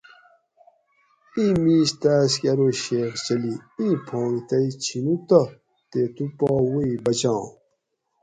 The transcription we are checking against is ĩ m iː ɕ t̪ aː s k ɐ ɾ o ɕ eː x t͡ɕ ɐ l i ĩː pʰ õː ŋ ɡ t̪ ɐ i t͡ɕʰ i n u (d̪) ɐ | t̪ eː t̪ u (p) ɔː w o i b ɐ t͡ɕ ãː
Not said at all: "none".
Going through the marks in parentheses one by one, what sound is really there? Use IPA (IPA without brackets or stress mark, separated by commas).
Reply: t̪, p